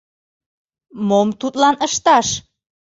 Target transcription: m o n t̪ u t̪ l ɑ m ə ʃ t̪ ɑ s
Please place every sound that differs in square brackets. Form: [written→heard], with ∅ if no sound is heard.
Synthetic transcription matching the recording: m o [n→m] t̪ u t̪ l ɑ [m→n] ə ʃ t̪ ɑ [s→ʃ]